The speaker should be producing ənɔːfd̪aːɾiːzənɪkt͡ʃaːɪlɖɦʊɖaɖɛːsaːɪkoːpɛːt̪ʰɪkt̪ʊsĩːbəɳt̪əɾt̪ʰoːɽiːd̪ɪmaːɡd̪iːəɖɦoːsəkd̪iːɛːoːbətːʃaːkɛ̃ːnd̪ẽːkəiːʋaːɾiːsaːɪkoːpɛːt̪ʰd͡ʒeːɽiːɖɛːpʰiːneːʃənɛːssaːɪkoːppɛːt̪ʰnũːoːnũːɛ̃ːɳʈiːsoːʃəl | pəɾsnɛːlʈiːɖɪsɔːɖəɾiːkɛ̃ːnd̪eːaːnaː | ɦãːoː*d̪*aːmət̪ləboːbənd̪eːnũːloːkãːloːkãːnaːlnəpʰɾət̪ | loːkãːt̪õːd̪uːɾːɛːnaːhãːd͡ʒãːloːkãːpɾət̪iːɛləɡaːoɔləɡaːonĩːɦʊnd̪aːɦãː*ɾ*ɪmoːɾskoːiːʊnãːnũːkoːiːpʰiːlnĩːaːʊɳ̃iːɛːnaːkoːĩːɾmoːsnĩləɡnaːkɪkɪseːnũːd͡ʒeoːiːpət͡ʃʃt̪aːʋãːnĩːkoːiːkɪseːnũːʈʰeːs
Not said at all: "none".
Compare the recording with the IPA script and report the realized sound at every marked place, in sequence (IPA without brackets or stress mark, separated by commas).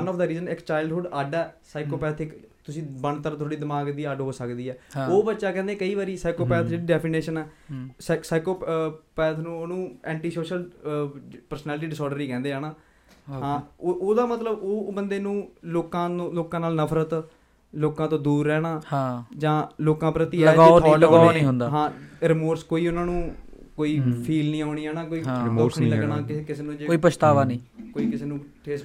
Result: d̪, ɾ